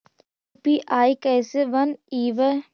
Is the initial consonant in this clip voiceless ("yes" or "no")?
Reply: yes